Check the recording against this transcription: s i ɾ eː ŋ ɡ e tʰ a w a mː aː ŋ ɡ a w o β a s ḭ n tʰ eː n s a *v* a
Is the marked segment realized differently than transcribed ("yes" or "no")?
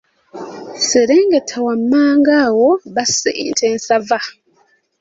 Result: no